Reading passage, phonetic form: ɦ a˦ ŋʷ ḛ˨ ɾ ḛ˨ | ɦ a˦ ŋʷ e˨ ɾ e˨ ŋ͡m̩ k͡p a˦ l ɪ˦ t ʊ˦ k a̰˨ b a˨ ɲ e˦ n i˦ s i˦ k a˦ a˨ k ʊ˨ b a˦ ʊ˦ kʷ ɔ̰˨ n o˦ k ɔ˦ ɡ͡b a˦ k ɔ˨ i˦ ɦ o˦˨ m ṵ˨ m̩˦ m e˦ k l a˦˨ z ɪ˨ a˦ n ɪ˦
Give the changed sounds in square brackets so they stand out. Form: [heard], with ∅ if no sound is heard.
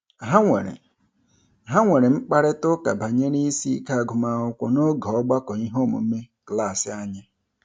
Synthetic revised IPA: ɦ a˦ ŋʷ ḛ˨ ɾ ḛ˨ | ɦ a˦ ŋʷ e˨ ɾ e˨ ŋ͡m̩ k͡p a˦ [ɾ] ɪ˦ t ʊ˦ k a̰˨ b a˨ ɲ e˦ n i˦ s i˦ k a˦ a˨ [ɡ] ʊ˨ [m] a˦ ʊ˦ kʷ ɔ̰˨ n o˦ [ɡ] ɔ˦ ɡ͡b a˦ k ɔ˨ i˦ ɦ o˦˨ m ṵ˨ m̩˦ m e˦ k l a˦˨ [s] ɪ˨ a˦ [ɲ] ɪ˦